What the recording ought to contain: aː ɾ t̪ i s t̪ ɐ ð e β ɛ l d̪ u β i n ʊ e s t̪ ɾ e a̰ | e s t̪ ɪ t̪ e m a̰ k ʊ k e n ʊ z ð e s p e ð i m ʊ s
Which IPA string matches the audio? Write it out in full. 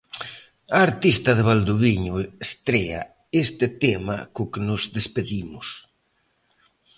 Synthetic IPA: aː ɾ t̪ i s t̪ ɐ ð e β a l d̪ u β i ɲ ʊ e s t̪ ɾ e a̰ | e s t̪ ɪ t̪ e m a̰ k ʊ k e n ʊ z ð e s p e ð i m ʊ s